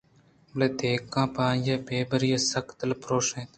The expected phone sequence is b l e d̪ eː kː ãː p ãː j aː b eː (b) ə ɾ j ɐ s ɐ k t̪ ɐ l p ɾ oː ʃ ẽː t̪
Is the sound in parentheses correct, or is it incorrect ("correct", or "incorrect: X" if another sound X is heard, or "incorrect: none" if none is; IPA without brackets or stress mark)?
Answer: correct